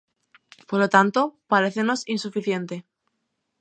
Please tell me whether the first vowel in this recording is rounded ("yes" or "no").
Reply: yes